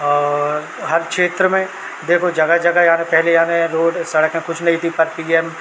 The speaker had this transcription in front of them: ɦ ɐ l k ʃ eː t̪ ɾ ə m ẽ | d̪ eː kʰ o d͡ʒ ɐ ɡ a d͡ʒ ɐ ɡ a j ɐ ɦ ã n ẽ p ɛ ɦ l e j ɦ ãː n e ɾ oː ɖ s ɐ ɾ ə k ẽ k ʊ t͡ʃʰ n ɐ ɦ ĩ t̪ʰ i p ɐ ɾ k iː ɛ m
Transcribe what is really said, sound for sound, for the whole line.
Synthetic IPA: ɦ ɐ ɾ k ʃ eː t̪ ɾ ə m ẽ | d̪ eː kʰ o d͡ʒ ɐ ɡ a d͡ʒ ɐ ɡ a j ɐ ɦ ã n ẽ p ɛ ɦ l e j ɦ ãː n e ɾ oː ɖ s ɐ ɽ ə k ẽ k ʊ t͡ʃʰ n ɐ ɦ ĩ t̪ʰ i p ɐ ɾ p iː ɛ m